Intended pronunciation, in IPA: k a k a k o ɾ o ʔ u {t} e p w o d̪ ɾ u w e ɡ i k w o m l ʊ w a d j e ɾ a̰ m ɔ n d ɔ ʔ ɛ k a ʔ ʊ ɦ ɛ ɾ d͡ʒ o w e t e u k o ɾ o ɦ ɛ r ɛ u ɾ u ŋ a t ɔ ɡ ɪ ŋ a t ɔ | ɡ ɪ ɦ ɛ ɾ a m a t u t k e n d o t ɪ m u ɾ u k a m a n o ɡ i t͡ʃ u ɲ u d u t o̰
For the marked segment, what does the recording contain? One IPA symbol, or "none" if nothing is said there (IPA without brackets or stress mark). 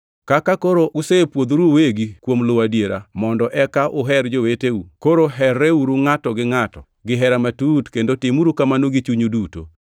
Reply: s